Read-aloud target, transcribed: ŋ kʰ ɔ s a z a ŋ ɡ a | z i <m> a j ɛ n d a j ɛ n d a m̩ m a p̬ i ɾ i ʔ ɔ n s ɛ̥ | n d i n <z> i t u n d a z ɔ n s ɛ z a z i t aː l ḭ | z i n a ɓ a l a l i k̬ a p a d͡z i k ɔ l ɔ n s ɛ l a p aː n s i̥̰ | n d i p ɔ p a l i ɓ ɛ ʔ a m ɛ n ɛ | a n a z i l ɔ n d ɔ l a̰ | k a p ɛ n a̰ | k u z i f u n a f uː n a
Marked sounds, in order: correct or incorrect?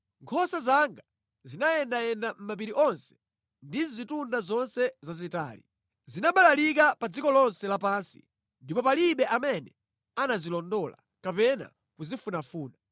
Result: incorrect, correct

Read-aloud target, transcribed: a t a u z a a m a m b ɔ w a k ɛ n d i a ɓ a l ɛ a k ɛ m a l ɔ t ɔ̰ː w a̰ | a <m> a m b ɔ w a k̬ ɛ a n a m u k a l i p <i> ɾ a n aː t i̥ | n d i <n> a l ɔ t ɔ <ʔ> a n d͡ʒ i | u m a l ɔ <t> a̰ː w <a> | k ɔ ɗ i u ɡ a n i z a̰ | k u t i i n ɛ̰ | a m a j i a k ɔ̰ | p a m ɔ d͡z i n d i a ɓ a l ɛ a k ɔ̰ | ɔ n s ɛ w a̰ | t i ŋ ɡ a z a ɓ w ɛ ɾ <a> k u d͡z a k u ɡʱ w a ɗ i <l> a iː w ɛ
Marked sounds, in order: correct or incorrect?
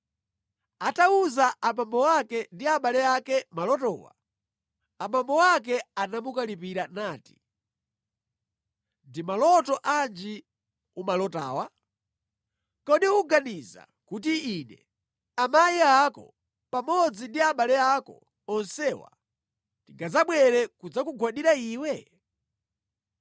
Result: correct, correct, incorrect, correct, correct, correct, incorrect, incorrect

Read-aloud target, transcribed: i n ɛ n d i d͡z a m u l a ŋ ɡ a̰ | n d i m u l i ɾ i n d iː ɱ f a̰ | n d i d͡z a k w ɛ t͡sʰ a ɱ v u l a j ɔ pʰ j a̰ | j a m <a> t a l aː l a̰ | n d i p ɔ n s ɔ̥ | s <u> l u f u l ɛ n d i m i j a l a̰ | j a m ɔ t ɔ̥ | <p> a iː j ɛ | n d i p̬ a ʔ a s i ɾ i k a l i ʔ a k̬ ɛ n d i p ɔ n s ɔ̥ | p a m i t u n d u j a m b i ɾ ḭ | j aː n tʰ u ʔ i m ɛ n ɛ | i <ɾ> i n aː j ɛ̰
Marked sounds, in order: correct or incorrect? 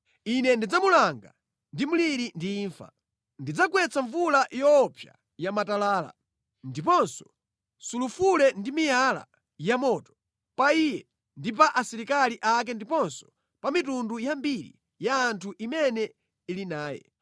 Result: correct, correct, correct, incorrect

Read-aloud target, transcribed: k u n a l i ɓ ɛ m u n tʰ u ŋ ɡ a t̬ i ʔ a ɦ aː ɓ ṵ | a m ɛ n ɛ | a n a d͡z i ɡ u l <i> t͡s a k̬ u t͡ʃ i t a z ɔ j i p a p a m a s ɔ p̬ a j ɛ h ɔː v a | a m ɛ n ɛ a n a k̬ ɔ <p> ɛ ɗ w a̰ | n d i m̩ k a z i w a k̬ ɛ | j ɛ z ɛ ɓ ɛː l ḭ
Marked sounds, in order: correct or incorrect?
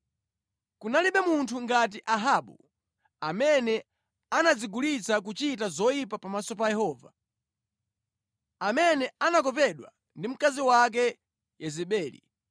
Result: correct, correct

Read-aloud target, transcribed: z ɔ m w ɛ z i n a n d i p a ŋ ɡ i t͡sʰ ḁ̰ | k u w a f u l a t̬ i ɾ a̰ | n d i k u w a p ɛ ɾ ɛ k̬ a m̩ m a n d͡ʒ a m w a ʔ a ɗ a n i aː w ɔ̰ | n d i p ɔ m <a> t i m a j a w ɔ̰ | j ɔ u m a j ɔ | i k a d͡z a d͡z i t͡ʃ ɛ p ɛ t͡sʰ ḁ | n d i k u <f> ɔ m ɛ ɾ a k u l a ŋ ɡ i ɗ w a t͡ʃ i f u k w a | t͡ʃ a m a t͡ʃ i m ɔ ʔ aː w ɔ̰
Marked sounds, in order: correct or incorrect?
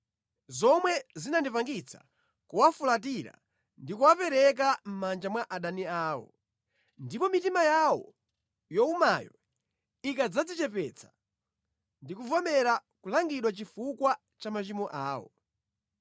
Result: incorrect, incorrect

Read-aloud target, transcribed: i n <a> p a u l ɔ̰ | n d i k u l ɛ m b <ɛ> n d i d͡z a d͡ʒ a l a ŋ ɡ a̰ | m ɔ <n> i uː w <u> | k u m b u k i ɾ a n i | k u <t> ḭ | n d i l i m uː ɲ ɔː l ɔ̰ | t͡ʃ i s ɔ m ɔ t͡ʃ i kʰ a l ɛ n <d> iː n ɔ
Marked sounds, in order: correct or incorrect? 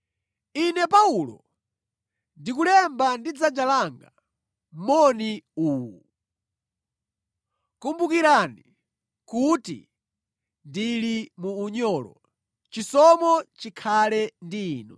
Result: incorrect, incorrect, correct, correct, correct, correct

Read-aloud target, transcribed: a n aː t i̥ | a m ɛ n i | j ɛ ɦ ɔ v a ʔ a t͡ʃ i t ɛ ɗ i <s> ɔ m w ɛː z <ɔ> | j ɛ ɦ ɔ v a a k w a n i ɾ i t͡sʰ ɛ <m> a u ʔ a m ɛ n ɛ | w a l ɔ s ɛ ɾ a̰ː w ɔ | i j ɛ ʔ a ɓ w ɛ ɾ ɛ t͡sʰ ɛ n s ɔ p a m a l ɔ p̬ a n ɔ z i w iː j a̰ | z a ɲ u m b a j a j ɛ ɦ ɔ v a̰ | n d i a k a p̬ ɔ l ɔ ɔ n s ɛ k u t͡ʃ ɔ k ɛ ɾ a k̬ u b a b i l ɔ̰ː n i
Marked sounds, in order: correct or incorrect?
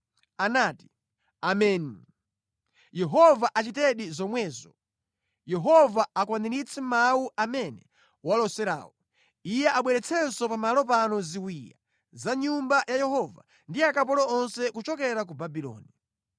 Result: incorrect, correct, correct

